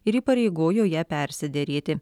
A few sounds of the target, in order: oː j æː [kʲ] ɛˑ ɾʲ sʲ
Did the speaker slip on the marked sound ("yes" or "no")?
yes